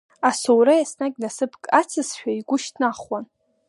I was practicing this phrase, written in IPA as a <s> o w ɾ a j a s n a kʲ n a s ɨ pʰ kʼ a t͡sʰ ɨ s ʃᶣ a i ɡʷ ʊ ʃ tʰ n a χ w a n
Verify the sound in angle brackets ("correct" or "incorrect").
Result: correct